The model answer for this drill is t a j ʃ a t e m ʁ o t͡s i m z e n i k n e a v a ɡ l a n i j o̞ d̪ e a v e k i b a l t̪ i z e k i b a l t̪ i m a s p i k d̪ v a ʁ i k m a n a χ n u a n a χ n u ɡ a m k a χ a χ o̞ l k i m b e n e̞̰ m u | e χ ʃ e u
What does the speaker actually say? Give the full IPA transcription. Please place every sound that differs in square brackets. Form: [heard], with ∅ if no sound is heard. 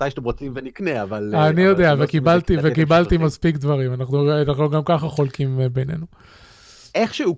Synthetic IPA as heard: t a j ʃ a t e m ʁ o t͡s i m [v] e n i k n e a v a [∅] l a n i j o̞ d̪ e a v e k i b a l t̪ i [v] e k i b a l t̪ i m a s p i k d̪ v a ʁ i [∅] m a n a χ n u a n a χ n u ɡ a m k a χ a χ o̞ l k i m b e n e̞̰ [n] u | e χ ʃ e u